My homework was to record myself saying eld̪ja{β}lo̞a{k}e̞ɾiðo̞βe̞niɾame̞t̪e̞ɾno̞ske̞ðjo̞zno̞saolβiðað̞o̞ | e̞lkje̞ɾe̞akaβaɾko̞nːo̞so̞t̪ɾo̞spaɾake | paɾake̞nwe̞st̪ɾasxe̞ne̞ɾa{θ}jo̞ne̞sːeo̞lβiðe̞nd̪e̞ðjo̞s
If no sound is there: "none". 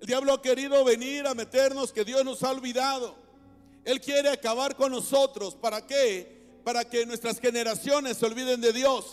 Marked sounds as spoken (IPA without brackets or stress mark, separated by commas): β, k, s